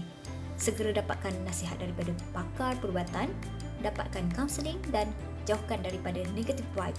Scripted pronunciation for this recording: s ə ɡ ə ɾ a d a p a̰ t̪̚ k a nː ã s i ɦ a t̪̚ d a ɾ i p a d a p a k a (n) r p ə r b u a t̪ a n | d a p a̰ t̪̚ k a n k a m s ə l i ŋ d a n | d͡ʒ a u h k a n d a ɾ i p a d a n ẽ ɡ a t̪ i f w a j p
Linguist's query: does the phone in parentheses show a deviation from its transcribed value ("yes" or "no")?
yes